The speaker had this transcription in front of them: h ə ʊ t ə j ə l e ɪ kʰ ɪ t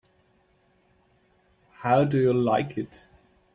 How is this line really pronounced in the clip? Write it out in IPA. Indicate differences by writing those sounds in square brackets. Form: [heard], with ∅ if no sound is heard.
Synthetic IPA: h [a] ʊ [d] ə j ə l [a] ɪ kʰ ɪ t